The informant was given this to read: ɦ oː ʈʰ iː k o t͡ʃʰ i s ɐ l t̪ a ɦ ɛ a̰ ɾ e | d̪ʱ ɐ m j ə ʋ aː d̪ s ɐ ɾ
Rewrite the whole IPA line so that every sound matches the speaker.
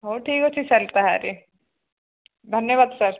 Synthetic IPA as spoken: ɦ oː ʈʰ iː k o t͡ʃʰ i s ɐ l t̪ a ɦ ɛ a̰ ɾ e | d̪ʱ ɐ n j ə ʋ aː d̪ s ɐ ɾ